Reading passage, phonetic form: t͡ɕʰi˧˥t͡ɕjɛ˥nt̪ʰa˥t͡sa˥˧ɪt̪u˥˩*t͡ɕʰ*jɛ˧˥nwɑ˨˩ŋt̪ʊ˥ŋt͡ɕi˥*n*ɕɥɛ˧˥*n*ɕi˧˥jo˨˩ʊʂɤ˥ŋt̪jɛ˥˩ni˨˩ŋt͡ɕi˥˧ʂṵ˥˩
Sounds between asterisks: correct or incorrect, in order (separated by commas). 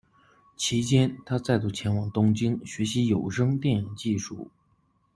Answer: correct, incorrect, incorrect